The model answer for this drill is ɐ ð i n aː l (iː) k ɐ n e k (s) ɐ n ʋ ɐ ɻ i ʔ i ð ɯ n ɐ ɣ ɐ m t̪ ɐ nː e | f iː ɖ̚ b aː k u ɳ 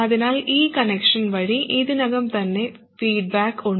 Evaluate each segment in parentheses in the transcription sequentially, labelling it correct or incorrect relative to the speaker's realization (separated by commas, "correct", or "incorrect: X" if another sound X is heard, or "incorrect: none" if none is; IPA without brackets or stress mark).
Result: correct, incorrect: ʂ